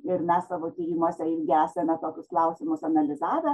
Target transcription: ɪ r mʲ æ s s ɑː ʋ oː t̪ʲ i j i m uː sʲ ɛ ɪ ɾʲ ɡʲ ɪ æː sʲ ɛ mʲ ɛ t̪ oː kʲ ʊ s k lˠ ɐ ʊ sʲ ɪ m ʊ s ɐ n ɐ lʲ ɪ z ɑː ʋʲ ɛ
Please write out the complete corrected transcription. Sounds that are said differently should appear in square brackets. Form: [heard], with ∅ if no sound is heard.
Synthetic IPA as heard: ɪ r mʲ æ s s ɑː ʋ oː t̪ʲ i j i m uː sʲ ɛ ɪ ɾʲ ɡʲ ɪ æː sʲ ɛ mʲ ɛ t̪ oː kʲ ʊ s k lˠ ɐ ʊ sʲ ɪ m ʊ s ɐ n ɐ lʲ ɪ z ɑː ʋʲ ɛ